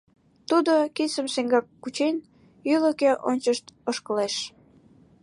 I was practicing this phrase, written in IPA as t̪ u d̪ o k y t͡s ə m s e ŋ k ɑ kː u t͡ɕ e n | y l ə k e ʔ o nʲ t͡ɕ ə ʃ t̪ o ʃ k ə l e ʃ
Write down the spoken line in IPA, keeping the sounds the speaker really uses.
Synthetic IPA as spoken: t̪ u d̪ o k i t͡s ə m s e ŋ ɡ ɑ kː u t͡ɕ e n | y l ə k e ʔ o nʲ t͡ɕ ə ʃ t̪ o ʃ k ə l e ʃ